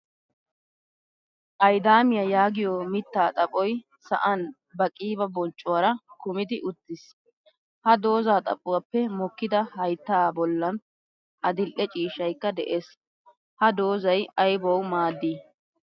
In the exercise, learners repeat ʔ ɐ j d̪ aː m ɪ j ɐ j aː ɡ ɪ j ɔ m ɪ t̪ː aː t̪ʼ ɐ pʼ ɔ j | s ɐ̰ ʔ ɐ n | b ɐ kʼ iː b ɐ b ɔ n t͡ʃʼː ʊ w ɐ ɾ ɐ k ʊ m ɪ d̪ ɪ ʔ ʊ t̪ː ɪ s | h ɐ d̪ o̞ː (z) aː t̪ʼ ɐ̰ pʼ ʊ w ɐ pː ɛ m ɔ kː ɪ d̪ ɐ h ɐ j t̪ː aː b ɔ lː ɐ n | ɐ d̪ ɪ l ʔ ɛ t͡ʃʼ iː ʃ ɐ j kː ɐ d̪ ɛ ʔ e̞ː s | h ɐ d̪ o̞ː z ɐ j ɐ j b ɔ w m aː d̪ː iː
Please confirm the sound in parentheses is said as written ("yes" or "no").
yes